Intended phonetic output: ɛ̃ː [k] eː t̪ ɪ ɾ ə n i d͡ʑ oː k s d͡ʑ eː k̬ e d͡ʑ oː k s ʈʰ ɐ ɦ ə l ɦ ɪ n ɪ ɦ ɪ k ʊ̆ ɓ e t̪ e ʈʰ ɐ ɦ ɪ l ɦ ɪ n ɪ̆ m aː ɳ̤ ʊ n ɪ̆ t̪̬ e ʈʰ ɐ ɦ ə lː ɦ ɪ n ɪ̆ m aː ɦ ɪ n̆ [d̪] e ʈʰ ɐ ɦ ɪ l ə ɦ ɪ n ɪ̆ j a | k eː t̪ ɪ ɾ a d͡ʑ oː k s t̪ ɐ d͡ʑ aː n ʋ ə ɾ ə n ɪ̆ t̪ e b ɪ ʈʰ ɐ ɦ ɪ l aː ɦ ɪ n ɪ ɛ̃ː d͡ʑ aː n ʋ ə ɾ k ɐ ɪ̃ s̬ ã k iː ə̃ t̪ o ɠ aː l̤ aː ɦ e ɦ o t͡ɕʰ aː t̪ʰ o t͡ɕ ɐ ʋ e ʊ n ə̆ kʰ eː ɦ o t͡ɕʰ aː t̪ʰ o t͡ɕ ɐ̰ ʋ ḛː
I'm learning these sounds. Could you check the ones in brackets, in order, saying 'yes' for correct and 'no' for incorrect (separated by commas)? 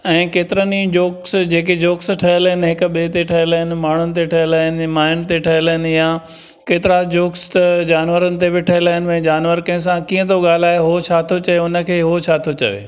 yes, no